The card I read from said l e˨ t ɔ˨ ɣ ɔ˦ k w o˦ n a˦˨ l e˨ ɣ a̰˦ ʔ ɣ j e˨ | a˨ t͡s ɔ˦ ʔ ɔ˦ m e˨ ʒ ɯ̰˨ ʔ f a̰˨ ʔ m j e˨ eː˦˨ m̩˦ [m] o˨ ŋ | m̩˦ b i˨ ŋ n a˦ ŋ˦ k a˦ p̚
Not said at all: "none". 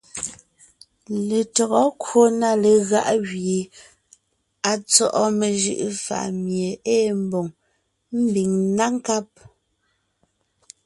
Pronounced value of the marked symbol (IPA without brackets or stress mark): b